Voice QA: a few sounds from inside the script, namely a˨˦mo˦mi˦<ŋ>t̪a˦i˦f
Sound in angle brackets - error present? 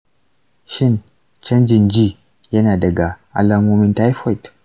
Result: yes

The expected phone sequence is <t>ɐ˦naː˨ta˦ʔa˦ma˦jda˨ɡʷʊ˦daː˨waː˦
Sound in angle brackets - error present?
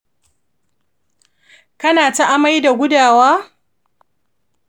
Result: yes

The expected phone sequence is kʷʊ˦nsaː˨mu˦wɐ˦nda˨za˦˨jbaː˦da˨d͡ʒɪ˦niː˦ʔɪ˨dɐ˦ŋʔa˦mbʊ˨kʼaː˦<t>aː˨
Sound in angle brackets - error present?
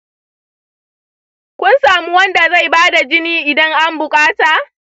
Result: no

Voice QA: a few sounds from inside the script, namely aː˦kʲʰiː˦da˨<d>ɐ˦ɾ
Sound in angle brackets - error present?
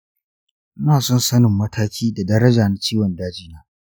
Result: no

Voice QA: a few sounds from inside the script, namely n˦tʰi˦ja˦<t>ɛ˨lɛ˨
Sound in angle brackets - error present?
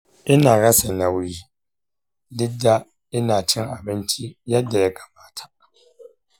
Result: yes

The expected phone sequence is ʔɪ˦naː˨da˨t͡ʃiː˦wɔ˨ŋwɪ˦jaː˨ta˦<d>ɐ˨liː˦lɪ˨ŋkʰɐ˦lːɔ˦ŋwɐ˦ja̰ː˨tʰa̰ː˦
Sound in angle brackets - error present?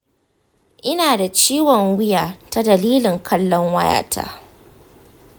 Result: no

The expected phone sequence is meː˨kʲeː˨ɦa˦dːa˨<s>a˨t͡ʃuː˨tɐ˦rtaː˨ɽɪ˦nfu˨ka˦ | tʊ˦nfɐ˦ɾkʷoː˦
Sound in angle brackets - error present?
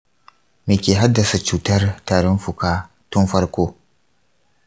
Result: no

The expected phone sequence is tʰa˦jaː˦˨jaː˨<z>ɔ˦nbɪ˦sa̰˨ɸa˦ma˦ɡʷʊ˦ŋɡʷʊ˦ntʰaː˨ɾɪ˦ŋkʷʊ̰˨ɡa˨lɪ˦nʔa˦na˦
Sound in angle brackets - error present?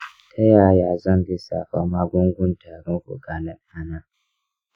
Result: no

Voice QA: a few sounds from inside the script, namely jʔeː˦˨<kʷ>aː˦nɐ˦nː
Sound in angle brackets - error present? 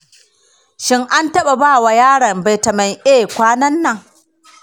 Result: no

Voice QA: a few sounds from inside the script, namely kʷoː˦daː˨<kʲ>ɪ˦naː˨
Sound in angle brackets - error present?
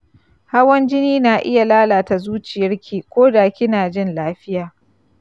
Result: no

